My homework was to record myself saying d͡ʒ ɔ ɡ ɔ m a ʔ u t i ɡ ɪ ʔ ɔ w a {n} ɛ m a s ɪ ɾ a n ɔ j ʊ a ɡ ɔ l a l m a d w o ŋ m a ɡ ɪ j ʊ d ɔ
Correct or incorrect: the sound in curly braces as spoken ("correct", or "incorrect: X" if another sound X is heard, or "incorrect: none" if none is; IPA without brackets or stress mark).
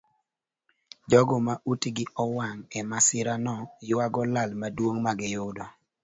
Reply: incorrect: ŋ